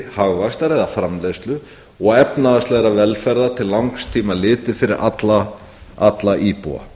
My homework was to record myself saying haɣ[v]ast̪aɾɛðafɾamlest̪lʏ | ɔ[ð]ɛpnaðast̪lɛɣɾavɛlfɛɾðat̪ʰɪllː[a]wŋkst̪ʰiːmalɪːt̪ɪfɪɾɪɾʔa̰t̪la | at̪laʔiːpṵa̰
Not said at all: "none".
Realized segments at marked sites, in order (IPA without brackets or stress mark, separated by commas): v, ɣ, a